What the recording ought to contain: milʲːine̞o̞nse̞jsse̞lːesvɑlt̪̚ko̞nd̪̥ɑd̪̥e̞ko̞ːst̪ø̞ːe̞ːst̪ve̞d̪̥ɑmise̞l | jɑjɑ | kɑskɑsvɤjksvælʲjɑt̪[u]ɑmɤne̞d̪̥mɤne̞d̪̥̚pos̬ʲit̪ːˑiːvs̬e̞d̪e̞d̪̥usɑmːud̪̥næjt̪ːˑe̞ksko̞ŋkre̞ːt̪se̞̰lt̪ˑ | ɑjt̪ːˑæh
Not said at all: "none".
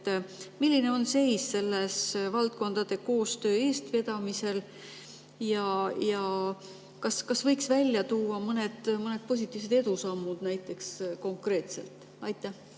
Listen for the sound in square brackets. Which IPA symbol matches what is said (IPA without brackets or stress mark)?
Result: uː